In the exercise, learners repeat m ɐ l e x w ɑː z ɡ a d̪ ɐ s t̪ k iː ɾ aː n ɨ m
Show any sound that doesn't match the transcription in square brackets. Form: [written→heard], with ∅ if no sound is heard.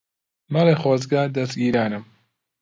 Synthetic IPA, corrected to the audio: m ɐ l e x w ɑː z ɡ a d̪ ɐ s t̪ [k→ɡ] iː ɾ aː n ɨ m